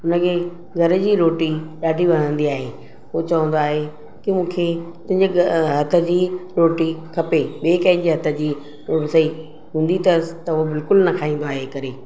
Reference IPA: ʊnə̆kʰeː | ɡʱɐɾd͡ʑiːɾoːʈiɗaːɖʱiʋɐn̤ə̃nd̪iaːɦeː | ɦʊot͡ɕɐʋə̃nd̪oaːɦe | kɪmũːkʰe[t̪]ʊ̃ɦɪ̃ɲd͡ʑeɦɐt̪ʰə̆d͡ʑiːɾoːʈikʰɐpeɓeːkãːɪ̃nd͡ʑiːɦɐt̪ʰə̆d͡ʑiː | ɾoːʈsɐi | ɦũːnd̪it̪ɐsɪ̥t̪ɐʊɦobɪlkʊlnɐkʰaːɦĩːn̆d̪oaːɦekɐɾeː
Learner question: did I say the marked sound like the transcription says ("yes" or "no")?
yes